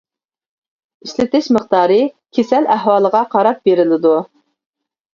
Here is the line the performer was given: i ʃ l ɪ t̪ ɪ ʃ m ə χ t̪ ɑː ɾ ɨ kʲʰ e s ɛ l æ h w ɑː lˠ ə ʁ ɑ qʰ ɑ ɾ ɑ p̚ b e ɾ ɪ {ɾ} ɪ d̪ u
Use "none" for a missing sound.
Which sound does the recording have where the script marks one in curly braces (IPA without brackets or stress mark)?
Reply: l